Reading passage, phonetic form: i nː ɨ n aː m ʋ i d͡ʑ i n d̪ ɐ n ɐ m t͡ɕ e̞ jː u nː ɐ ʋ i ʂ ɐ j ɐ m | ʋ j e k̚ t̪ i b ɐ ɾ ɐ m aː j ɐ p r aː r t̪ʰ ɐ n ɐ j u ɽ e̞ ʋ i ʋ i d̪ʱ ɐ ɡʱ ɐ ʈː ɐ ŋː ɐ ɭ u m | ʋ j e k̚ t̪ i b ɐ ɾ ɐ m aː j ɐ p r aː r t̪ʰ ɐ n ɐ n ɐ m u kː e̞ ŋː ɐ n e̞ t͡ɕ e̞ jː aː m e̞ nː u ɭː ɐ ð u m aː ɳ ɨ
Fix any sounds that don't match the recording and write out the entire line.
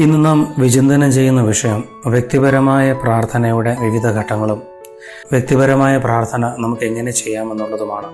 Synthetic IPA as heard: i nː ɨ n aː m ʋ i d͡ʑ i n d̪ ɐ n ɐ m t͡ɕ e̞ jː u nː ɐ ʋ i ʂ ɐ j ɐ m | ʋ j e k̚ t̪ i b ɐ ɾ ɐ m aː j ɐ p r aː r t̪ʰ ɐ n ɐ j u ɽ e̞ ʋ i ʋ i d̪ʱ ɐ ɡʱ ɐ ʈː ɐ ŋː ɐ ɭ u m | ʋ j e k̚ t̪ i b ɐ ɾ ɐ m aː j ɐ p r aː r t̪ʰ ɐ n ɐ n ɐ m u kː e̞ ŋː ɐ n e̞ t͡ɕ e̞ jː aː m e̞ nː u ɭː ɐ ð u m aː ɳ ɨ